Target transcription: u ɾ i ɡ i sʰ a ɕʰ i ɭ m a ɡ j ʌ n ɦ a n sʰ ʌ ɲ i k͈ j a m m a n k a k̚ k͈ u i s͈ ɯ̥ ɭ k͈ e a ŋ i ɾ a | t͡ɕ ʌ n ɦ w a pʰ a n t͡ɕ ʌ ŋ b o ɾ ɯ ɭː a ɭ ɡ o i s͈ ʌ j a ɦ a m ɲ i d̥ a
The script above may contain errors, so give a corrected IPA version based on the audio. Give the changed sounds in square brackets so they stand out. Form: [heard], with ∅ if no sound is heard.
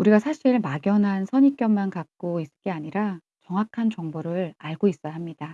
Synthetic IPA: u ɾ i ɡ [a] sʰ a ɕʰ i ɭ m a ɡ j ʌ n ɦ a n sʰ ʌ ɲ i k͈ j [ʌ] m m a n k a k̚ k͈ [o] i s͈ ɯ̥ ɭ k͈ e a [ɲ] i ɾ a | t͡ɕ ʌ [ŋ] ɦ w a [kʰ] a n t͡ɕ ʌ ŋ b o ɾ ɯ [ɭ] a ɭ ɡ o i s͈ ʌ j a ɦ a m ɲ i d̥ a